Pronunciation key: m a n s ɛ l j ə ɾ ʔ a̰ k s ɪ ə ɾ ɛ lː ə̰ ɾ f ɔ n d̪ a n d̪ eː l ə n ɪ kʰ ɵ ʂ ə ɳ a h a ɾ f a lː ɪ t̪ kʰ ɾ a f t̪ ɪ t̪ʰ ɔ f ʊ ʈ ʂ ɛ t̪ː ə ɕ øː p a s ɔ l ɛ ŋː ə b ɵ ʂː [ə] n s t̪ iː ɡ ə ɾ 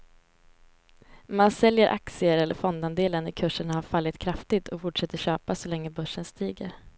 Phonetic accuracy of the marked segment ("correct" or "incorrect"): correct